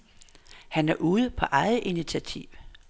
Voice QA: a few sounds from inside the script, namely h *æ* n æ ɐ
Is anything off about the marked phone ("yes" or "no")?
no